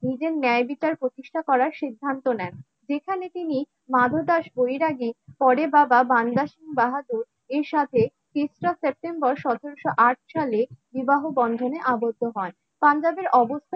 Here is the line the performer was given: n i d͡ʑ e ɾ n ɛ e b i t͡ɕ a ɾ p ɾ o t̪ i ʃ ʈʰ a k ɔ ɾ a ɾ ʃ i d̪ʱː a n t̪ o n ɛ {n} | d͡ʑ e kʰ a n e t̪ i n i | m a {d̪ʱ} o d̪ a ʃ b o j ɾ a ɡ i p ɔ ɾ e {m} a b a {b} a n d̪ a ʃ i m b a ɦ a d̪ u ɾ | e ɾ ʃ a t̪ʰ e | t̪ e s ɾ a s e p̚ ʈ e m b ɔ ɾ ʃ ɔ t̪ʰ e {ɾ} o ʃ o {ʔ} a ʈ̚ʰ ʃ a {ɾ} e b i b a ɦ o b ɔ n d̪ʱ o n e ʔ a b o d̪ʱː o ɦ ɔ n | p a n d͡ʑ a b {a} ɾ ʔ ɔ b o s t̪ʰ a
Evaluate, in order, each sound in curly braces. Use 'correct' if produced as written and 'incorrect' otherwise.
correct, correct, incorrect, correct, correct, correct, incorrect, incorrect

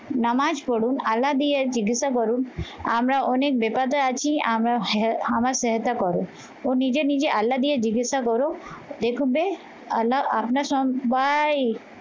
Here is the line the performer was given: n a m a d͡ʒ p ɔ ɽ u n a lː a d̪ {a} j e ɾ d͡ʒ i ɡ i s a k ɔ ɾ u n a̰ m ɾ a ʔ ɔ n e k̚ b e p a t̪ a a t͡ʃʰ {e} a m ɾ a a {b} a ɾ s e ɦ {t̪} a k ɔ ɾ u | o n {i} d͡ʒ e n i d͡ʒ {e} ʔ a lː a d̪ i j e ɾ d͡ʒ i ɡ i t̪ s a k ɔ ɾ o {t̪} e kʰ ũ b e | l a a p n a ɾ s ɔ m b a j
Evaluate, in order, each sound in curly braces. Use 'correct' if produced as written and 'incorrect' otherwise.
incorrect, incorrect, incorrect, correct, correct, correct, incorrect

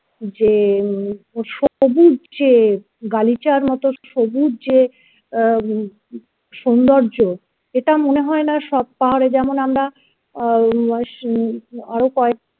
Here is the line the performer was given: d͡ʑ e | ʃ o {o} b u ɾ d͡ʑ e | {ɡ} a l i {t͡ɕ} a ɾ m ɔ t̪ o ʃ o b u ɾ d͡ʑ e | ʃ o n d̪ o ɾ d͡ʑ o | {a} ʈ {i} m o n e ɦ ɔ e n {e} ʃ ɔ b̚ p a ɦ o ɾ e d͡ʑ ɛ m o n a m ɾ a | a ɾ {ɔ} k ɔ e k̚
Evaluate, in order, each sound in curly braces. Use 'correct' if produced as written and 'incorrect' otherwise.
correct, correct, correct, incorrect, incorrect, incorrect, incorrect

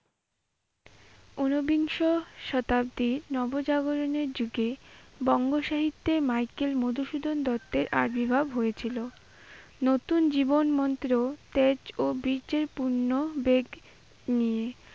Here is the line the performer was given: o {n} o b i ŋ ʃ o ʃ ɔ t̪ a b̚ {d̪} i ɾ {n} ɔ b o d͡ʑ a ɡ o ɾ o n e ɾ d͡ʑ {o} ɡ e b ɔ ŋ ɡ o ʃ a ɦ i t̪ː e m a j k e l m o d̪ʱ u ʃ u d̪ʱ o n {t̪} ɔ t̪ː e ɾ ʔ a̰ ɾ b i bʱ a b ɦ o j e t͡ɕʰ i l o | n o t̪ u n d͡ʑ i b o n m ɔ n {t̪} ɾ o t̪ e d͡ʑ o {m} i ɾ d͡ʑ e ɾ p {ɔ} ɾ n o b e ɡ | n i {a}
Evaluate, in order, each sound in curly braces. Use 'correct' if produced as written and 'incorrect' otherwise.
correct, correct, correct, incorrect, incorrect, correct, incorrect, incorrect, incorrect

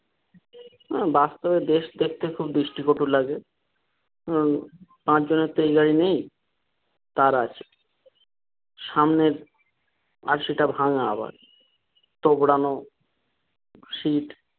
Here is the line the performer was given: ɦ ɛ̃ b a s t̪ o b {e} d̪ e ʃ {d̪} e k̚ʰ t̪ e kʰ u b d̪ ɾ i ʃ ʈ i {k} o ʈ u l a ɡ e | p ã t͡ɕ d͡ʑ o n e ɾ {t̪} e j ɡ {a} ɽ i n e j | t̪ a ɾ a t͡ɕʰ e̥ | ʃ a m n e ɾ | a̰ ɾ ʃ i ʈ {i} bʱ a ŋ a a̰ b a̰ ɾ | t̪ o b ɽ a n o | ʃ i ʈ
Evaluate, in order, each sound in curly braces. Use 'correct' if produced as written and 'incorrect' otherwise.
correct, correct, correct, correct, correct, incorrect

